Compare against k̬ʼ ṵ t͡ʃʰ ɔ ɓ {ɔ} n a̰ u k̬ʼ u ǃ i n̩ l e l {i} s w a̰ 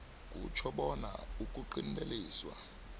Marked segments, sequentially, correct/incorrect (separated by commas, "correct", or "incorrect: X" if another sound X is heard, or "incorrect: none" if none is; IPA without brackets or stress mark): correct, incorrect: iː